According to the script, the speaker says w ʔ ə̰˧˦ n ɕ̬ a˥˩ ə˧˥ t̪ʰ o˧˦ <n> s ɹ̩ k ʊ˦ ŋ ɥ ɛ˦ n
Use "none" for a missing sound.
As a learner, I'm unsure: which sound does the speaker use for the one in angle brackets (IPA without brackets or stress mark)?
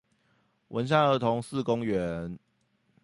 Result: ŋ